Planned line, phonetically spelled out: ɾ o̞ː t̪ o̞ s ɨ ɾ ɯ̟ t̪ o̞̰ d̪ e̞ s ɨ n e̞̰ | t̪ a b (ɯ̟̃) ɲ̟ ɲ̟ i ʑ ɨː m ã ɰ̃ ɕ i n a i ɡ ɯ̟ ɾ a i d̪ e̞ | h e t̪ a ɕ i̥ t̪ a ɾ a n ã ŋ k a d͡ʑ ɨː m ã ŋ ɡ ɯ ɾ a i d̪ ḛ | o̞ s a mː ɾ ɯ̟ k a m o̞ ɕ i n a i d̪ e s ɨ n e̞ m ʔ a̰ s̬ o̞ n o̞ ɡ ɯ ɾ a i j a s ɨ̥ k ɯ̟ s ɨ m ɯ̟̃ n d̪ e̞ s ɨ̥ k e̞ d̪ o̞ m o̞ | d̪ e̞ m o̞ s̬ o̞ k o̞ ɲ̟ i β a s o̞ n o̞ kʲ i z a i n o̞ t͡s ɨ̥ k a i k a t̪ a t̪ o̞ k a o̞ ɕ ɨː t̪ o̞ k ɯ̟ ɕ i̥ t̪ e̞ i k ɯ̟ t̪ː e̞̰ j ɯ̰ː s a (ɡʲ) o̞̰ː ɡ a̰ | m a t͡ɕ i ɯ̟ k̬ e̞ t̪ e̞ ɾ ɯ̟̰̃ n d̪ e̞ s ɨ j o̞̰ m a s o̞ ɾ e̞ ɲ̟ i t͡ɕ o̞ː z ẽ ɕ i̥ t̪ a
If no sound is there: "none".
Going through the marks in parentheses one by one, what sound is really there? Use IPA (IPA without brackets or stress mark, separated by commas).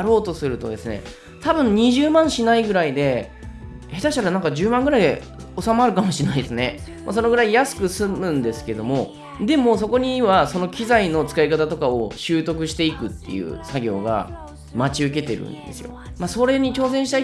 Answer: ɯ̟̃, ɡʲ